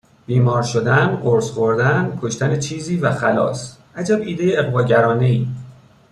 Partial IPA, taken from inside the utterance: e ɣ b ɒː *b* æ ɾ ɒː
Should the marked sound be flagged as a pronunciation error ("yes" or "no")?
yes